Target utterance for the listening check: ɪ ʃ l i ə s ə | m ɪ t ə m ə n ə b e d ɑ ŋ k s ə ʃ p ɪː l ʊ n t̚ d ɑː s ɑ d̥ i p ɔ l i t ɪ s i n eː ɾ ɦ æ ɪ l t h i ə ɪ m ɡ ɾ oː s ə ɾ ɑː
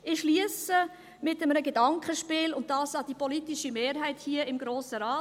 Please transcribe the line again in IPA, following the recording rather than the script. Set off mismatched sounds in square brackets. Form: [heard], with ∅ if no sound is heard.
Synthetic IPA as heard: ɪ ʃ l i ə s ə | m ɪ t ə m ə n ə [ɡ] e d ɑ ŋ k [χ] ə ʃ p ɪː l ʊ n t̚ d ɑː s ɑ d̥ i p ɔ l i t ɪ [ʃ] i [m] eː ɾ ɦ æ ɪ [∅] t h i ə ɪ m ɡ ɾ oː s ə ɾ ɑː